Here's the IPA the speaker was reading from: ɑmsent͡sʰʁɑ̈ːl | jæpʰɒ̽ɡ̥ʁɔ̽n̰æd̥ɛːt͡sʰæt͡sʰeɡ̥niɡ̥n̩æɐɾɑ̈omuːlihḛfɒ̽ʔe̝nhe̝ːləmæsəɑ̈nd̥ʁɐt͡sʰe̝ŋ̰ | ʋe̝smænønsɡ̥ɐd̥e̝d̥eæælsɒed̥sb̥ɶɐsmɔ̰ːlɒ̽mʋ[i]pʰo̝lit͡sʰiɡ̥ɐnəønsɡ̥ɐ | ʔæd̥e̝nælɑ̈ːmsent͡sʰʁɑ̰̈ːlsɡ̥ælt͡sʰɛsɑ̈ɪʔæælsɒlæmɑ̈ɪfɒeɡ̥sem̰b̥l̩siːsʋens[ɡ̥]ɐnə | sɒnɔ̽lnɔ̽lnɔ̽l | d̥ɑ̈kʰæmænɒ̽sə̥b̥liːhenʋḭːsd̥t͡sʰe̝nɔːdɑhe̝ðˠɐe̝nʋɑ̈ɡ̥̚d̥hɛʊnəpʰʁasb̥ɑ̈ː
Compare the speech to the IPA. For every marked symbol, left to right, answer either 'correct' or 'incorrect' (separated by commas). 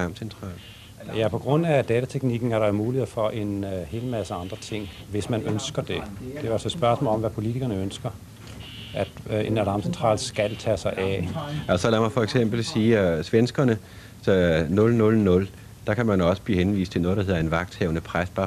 incorrect, correct